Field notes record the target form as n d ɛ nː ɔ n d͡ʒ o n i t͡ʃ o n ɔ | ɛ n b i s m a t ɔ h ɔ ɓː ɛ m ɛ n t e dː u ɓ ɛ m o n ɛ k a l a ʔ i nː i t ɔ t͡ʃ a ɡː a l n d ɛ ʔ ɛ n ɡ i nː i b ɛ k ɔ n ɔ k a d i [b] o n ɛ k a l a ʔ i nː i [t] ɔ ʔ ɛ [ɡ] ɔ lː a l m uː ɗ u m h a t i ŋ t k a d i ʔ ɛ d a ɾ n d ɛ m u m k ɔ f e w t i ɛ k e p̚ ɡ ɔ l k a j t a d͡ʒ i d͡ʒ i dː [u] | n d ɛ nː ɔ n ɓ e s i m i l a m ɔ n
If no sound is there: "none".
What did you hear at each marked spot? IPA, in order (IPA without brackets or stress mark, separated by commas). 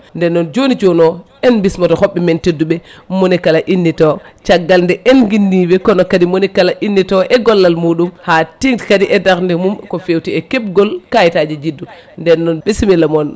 m, t, ɡ, u